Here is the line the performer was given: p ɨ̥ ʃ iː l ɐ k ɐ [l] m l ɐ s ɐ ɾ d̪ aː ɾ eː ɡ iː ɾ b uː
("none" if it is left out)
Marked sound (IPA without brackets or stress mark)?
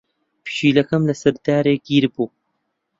none